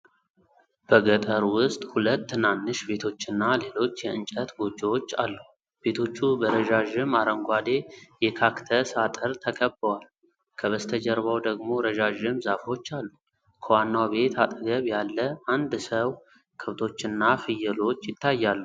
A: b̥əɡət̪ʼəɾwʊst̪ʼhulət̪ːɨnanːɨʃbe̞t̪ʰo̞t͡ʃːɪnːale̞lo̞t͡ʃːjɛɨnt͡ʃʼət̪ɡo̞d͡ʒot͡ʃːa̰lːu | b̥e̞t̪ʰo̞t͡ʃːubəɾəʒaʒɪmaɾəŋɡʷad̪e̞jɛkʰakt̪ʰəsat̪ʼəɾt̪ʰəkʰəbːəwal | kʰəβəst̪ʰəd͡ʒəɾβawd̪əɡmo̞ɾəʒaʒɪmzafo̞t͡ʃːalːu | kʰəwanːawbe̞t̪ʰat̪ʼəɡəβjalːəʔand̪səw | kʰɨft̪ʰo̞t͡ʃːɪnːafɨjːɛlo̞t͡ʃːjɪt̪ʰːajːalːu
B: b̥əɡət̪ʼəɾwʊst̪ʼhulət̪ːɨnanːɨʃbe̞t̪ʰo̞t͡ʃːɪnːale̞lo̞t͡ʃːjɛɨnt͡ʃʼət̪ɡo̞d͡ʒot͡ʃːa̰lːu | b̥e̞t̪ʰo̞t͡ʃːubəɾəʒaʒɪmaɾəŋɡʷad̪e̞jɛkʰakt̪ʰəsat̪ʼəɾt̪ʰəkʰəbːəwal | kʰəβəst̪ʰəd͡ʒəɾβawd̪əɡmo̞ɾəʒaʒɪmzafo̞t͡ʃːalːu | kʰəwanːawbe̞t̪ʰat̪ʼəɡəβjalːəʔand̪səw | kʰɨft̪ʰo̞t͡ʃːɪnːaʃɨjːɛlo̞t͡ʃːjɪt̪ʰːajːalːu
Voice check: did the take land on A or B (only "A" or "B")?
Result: A